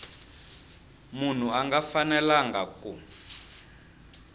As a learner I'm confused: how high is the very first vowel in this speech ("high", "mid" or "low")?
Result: high